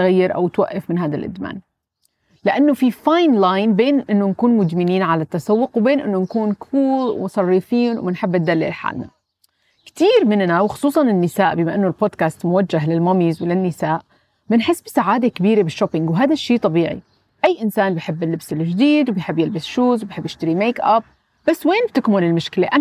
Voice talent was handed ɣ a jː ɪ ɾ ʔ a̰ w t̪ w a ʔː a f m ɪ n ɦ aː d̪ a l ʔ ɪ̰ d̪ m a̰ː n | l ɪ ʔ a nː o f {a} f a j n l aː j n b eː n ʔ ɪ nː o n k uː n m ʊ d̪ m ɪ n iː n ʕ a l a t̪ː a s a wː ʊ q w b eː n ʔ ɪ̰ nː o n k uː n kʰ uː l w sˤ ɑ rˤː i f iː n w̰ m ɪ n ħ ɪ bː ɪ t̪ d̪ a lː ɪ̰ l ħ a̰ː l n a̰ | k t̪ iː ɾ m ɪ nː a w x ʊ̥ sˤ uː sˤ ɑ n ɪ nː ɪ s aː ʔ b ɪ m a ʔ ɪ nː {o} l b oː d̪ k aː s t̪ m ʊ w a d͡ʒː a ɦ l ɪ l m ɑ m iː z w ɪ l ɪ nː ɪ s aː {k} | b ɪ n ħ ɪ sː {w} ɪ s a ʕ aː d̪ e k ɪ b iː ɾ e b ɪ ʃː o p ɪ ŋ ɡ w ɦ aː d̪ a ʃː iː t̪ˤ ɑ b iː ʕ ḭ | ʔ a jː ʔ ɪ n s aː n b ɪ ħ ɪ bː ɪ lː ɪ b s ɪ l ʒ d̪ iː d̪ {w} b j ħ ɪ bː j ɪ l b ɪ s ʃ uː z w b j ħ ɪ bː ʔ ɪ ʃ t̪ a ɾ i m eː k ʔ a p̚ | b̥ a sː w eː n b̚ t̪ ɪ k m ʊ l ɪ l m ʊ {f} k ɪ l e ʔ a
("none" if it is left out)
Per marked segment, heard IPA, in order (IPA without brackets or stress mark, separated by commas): i, o, ʔ, b, w, ʃ